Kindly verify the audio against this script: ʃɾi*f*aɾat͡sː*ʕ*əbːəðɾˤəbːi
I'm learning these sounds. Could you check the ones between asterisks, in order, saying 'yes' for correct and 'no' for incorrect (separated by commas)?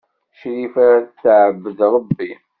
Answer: yes, yes